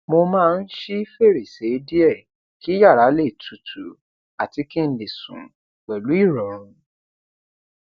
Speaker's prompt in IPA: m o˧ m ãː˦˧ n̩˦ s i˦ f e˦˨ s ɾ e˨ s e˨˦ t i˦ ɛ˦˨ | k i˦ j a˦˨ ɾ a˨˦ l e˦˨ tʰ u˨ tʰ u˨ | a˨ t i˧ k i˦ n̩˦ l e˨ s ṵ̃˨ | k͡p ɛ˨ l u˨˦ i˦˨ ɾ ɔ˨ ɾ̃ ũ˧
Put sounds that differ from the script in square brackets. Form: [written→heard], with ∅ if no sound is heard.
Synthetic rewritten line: m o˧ m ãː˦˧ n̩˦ [s→ʃ] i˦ f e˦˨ [s→∅] ɾ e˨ s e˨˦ [t→d] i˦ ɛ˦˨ | k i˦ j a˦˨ ɾ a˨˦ l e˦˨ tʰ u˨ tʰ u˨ | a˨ t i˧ k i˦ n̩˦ l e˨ s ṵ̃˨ | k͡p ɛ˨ l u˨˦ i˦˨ ɾ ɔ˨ ɾ̃ ũ˧